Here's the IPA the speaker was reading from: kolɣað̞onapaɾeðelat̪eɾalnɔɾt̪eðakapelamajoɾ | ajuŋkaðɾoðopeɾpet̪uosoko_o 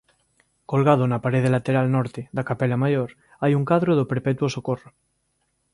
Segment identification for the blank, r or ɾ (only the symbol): r